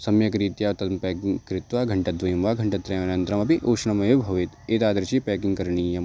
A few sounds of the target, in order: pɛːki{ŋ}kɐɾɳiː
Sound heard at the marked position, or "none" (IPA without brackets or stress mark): ŋ